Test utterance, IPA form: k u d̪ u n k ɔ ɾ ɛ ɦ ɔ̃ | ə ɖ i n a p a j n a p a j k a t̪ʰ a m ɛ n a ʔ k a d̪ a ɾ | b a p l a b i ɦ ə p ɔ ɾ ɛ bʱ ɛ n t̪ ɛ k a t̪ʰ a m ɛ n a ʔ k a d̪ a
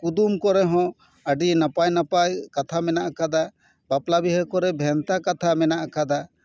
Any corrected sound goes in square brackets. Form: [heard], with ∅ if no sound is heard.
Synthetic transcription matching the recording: k u d̪ u [m] k ɔ ɾ ɛ ɦ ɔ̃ | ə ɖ i n a p a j n a p a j k a t̪ʰ a m ɛ n a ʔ k a d̪ a [∅] | b a p l a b i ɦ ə [k] ɔ ɾ ɛ bʱ ɛ n t̪ [a] k a t̪ʰ a m ɛ n a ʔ k a d̪ a